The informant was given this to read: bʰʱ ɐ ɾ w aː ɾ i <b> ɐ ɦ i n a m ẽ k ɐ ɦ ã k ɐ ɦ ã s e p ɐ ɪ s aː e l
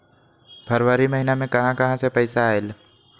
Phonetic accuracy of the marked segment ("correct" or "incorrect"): incorrect